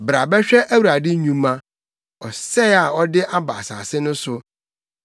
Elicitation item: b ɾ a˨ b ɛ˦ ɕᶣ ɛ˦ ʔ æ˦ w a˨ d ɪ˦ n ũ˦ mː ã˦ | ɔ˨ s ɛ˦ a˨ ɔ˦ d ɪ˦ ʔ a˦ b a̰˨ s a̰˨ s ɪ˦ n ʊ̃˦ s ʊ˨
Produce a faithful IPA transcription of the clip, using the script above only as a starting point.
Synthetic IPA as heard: b ɾ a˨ b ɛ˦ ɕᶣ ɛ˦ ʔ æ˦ w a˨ d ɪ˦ ɲ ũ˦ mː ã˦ | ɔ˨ s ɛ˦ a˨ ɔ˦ d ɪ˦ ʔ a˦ b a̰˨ s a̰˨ s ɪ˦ n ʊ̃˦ s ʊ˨